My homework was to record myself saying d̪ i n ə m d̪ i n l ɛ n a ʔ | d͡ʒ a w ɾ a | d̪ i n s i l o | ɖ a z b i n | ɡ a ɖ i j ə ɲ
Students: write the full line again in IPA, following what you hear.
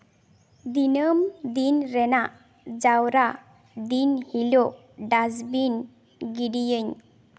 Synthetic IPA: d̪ i n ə m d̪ i n ɾ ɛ n a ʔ | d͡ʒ a w ɾ a | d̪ i n h i l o | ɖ a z b i n | ɡ i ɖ i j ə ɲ